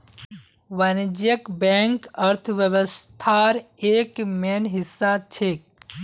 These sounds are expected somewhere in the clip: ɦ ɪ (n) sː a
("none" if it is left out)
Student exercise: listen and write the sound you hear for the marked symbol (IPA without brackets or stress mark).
none